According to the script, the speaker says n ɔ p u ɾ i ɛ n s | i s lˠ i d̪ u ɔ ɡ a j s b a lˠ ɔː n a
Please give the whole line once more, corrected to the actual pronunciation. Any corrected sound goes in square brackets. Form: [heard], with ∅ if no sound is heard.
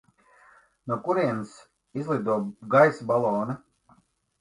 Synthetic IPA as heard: n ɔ [k] u ɾ i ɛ n s | i [z] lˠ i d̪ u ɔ ɡ a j s b a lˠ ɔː n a

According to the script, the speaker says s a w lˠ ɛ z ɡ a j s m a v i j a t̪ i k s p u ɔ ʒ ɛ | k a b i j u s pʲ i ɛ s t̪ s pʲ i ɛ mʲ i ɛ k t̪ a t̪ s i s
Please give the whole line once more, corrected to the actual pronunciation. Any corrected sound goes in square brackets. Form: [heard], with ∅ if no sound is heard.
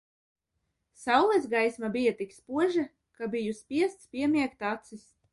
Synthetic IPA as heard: s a w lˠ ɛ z ɡ a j s m a [b] i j a t̪ i k s p u ɔ ʒ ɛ | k a b i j u s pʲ i ɛ s t̪ s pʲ i ɛ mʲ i ɛ k t̪ a t̪ s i s

